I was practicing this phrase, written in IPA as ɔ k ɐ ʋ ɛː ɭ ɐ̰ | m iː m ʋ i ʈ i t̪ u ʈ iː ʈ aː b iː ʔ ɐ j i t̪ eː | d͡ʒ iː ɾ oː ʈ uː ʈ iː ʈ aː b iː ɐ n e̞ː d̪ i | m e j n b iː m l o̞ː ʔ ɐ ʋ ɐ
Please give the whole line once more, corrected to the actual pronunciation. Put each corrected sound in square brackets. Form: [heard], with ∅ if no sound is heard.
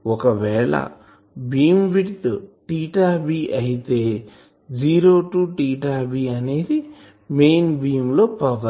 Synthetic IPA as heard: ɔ k ɐ ʋ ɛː ɭ ɐ̰ | [b] iː m ʋ i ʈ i t̪ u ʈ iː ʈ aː b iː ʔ ɐ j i t̪ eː | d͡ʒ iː ɾ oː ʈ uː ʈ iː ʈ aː b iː ɐ n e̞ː d̪ i | m e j n b iː m l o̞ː [p] ɐ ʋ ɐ

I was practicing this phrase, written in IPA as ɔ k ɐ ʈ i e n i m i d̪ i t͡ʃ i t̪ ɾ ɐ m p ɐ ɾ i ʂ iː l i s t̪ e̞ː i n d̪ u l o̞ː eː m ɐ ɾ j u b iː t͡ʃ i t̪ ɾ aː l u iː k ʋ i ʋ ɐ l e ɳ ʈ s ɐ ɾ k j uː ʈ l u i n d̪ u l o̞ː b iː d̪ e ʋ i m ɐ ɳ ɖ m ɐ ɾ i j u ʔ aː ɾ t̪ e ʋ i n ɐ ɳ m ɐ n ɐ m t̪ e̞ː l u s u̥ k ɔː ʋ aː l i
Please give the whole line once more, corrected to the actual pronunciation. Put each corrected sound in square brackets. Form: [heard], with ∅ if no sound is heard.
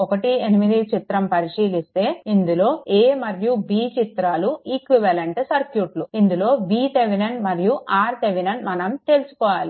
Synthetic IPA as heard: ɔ k ɐ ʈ i e n i m i d̪ i t͡ʃ i t̪ ɾ ɐ m p ɐ ɾ i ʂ iː l i s t̪ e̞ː i n d̪ u l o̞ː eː m ɐ ɾ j u b iː t͡ʃ i t̪ ɾ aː l u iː k ʋ i ʋ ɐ l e ɳ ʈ s ɐ ɾ k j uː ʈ l u i n d̪ u l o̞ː b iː [t̪] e ʋ i [n] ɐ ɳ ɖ m ɐ ɾ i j u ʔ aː ɾ t̪ e ʋ i n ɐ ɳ m ɐ n ɐ m t̪ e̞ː l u s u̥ k ɔː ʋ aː l i

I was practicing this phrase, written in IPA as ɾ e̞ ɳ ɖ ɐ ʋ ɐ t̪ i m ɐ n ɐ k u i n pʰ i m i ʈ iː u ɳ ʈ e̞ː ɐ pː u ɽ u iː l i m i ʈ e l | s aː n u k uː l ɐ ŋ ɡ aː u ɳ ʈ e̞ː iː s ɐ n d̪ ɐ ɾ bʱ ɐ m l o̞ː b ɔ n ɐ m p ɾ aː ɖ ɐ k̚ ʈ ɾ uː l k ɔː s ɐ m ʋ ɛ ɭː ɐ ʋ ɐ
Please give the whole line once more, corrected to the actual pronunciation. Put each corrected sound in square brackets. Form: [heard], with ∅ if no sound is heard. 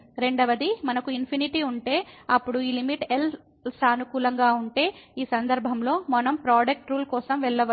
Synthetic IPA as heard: ɾ e̞ ɳ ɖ ɐ ʋ ɐ [d̪] i m ɐ n ɐ k u i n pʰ i [n] i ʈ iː u ɳ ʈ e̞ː ɐ pː u ɽ u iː l i m i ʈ e l | s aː n u k uː l ɐ ŋ ɡ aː u ɳ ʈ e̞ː iː s ɐ n d̪ ɐ ɾ bʱ ɐ m l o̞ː [m] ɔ n ɐ m p ɾ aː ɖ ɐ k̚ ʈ ɾ uː l k ɔː s ɐ m ʋ ɛ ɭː ɐ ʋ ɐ

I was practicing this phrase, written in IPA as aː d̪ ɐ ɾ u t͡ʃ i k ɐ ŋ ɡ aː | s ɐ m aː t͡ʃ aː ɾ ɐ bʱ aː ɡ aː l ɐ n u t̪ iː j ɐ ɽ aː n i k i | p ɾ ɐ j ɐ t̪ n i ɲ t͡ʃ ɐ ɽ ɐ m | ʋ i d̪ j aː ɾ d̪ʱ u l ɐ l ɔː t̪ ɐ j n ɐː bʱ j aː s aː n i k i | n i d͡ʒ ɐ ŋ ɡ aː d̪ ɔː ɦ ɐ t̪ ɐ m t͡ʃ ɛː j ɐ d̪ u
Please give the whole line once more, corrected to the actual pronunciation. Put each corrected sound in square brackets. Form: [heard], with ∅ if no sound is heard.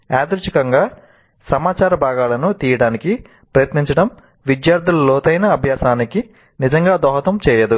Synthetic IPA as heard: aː d̪ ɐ ɾ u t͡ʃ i k ɐ ŋ ɡ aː | s ɐ m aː t͡ʃ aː ɾ ɐ bʱ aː ɡ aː l ɐ n u t̪ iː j ɐ ɽ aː n i k i | p ɾ ɐ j ɐ t̪ n i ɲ t͡ʃ ɐ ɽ ɐ m | ʋ i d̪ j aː ɾ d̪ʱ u l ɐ l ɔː t̪ ɐ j n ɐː bʱ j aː s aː n i k i | n i d͡ʒ ɐ ŋ ɡ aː d̪ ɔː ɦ ɐ t̪ ɐ m t͡ʃ ɛː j ɐ d̪ u

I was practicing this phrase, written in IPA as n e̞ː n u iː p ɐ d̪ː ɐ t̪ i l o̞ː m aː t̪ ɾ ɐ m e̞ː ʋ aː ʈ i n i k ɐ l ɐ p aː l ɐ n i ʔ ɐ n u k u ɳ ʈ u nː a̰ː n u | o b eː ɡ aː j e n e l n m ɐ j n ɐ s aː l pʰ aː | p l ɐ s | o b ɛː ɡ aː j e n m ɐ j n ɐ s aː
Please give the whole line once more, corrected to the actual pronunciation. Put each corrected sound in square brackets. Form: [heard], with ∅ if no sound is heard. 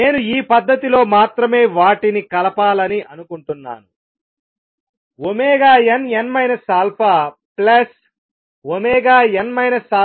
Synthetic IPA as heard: n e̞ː n u iː p ɐ d̪ː ɐ t̪ i l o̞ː m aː t̪ ɾ ɐ m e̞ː ʋ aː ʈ i n i k ɐ l ɐ p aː l ɐ n i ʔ ɐ n u k u ɳ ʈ u nː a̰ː n u | o [m] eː ɡ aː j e n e [∅] n m ɐ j n ɐ s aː l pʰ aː | p l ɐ s | o [m] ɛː ɡ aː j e n m ɐ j n ɐ s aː

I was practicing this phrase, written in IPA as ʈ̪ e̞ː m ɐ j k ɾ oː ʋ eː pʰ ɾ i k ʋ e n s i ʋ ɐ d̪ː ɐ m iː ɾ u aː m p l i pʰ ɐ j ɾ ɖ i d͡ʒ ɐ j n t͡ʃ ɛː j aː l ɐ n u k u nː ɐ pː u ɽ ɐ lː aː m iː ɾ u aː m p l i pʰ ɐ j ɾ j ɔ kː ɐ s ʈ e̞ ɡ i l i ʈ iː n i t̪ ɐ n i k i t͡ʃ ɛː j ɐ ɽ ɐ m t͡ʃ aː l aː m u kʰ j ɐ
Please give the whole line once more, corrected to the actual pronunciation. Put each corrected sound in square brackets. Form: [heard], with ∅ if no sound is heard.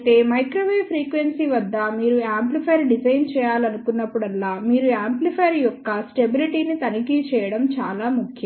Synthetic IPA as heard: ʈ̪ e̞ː m ɐ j k ɾ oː ʋ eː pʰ ɾ [iː] k ʋ e n s i ʋ ɐ d̪ː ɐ m iː ɾ u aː m p l i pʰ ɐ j ɾ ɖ i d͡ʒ ɐ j n t͡ʃ ɛː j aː l ɐ n u k u nː ɐ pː u ɽ ɐ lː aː m iː ɾ u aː m p l i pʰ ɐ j ɾ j ɔ kː ɐ s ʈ e̞ [b] i l i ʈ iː n i t̪ ɐ n i k i t͡ʃ ɛː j ɐ ɽ ɐ m t͡ʃ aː l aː m u kʰ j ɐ

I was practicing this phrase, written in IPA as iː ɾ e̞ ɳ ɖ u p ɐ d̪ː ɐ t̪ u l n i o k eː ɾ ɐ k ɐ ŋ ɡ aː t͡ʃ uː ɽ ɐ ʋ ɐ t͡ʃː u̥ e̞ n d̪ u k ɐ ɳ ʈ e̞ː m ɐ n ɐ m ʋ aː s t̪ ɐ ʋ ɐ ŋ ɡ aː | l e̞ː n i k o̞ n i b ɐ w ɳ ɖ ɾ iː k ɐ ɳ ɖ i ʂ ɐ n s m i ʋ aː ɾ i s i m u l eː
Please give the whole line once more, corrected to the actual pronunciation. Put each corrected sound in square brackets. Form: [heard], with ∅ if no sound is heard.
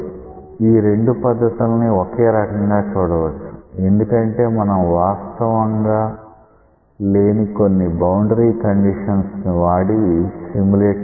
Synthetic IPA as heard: iː ɾ e̞ ɳ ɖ u p ɐ d̪ː ɐ t̪ u l n i o k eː ɾ ɐ k ɐ ŋ ɡ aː t͡ʃ uː ɽ ɐ ʋ ɐ t͡ʃː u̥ e̞ n d̪ u k ɐ ɳ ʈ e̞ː m ɐ n ɐ m ʋ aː s t̪ ɐ ʋ ɐ ŋ ɡ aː | l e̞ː n i k o̞ [nː] i b ɐ w ɳ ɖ ɾ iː k ɐ ɳ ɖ i ʂ ɐ n s [n] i ʋ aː [ɽ] i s i m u l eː

